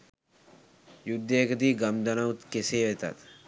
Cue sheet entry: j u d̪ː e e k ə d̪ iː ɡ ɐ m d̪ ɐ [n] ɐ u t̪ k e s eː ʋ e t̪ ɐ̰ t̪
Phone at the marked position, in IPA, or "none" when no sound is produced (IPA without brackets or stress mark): n